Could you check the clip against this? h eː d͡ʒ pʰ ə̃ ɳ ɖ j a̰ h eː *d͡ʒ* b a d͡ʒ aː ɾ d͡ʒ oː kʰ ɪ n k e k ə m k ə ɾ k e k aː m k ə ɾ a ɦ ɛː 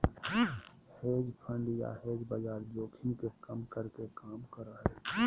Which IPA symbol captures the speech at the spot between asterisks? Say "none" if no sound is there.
d͡ʒ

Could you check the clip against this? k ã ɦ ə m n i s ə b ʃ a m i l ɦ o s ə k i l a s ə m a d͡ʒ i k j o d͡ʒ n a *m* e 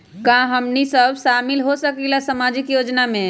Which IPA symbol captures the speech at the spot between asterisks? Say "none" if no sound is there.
m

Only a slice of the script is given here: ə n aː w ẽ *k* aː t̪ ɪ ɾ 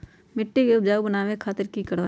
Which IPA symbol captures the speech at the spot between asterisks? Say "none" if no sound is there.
kʰ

